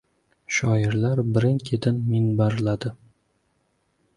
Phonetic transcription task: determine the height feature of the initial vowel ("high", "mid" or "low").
low